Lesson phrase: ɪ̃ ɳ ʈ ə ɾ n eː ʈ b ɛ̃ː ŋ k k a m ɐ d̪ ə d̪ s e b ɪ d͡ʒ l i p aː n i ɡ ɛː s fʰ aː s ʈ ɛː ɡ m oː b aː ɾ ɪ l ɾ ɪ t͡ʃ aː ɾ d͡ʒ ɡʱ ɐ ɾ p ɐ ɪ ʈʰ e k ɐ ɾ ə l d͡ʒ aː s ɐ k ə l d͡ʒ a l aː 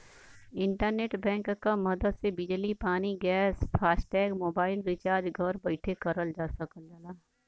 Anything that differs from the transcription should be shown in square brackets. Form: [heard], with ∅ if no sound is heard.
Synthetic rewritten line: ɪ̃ ɳ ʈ ə ɾ n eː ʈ b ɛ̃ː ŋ k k a m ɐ d̪ ə d̪ s e b ɪ d͡ʒ l i p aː n i ɡ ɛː s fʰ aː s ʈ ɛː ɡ m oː b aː [∅] ɪ l ɾ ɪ t͡ʃ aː ɾ d͡ʒ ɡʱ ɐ ɾ [b] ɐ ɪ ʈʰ e k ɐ ɾ ə l d͡ʒ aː s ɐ k ə l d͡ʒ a l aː